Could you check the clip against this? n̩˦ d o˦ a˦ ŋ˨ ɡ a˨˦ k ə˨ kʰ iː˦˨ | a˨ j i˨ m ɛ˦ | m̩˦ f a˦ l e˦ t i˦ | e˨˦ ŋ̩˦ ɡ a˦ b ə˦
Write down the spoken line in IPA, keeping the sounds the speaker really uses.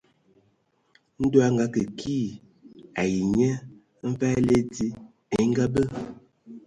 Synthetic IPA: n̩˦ d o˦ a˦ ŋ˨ ɡ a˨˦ k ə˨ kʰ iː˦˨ | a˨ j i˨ ɲ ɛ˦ | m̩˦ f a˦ l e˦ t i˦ | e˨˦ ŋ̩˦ ɡ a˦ b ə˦